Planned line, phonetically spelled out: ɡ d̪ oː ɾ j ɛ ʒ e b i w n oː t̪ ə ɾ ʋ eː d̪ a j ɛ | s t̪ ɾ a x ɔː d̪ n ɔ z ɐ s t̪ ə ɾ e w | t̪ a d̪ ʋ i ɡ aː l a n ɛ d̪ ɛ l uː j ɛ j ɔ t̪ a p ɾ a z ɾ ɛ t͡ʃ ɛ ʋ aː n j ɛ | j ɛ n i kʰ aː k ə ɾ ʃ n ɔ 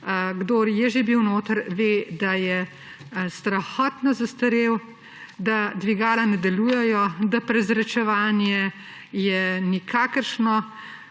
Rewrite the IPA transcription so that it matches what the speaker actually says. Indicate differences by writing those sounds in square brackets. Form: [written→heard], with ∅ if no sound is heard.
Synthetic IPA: ɡ d̪ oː ɾ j ɛ ʒ e b i w n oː t̪ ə ɾ ʋ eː d̪ a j ɛ | s t̪ ɾ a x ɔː [d̪→t̪] n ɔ z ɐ s t̪ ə ɾ e w | [t̪→d̪] a d̪ ʋ i ɡ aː l a n ɛ d̪ ɛ l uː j ɛ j ɔ [t̪→d̪] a p ɾ [a→ɛ] z ɾ ɛ t͡ʃ ɛ ʋ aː n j ɛ | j ɛ n i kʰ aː k ə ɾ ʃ n ɔ